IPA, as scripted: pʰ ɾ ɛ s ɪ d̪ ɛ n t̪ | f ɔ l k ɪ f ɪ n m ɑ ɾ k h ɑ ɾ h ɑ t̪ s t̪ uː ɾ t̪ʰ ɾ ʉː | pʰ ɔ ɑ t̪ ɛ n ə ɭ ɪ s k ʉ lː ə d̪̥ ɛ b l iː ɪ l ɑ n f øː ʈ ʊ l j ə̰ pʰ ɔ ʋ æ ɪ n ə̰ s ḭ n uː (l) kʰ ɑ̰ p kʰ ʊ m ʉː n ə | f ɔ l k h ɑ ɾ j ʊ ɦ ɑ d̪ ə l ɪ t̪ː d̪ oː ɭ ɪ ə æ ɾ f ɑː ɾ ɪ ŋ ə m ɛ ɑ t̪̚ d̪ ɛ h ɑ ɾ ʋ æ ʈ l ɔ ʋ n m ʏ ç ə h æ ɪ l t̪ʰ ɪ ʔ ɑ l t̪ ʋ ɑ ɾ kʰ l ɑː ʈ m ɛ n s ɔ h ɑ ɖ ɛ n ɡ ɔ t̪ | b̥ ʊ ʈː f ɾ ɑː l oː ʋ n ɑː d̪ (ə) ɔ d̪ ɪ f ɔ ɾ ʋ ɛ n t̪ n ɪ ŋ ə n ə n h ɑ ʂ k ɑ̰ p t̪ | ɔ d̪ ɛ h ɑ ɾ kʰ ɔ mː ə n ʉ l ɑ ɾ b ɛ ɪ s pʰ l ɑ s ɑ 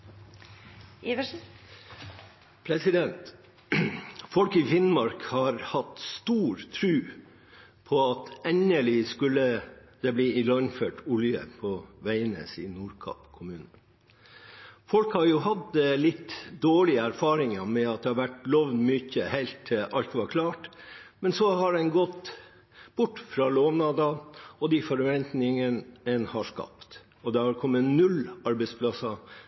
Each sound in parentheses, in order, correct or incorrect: incorrect, incorrect

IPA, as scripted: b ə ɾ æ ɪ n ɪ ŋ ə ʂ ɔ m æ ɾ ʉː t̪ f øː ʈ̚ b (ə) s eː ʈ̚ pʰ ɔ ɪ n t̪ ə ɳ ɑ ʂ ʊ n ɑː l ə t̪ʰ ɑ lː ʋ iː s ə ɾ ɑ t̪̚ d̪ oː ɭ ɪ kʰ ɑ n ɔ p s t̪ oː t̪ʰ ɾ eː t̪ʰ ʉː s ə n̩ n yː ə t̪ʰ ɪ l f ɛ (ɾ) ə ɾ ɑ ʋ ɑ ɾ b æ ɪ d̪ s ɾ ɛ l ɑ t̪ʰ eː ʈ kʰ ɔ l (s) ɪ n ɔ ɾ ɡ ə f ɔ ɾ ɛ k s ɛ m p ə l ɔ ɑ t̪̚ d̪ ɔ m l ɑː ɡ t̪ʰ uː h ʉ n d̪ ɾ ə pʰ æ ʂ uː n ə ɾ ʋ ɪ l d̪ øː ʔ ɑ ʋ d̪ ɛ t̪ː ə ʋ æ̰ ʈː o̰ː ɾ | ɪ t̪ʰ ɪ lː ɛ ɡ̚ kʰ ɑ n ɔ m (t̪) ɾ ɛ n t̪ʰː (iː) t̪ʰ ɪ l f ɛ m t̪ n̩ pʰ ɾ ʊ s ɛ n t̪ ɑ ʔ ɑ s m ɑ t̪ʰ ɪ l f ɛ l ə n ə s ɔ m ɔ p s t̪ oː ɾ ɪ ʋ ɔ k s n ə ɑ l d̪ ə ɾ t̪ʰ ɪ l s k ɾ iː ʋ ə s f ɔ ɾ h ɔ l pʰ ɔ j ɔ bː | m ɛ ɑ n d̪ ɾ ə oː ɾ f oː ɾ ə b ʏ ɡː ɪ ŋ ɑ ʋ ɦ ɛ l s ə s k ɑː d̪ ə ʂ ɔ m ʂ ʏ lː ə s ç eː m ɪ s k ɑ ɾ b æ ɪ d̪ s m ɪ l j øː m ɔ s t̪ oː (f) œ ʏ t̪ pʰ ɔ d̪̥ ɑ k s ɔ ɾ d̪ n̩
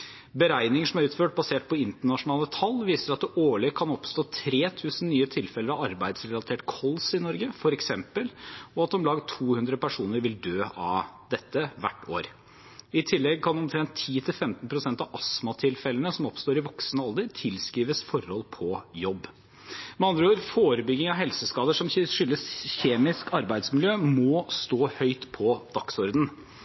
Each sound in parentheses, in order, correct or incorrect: incorrect, incorrect, correct, incorrect, correct, incorrect

